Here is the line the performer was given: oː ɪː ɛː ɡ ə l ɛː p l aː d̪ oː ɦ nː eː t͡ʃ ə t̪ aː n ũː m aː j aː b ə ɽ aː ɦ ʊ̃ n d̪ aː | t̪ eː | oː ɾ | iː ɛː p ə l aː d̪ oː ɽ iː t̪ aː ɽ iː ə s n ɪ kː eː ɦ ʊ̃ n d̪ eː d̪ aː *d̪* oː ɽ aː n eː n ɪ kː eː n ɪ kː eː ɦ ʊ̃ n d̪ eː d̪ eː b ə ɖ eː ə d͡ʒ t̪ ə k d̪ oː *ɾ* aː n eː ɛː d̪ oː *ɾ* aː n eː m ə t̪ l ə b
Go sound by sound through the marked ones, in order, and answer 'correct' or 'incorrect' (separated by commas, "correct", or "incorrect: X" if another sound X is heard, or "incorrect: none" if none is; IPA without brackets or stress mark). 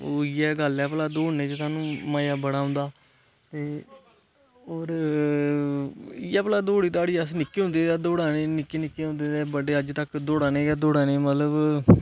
correct, incorrect: ɽ, incorrect: ɽ